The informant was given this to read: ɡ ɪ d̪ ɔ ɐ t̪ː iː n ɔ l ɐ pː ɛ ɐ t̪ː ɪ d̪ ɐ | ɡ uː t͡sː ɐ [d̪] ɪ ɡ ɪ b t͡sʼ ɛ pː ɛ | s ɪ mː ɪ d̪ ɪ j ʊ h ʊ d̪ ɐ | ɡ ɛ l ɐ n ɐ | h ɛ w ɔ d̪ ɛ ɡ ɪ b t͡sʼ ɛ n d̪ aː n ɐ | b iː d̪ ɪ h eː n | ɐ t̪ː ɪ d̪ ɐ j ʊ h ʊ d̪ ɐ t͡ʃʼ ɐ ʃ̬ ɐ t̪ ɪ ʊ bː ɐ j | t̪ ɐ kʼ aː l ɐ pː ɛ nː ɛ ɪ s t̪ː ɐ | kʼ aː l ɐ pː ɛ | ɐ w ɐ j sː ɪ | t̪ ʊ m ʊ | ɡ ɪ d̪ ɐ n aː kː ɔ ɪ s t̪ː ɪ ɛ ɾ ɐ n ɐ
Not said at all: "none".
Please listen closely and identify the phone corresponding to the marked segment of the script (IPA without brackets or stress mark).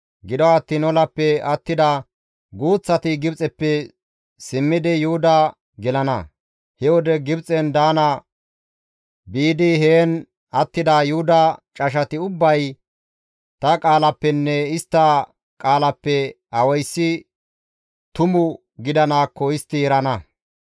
t̪